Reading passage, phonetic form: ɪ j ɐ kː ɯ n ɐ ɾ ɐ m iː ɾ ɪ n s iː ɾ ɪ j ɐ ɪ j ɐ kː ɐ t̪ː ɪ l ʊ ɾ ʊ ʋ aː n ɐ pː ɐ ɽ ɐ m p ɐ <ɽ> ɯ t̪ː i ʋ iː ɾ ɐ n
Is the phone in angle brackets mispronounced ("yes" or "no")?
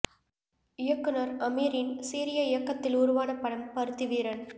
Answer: yes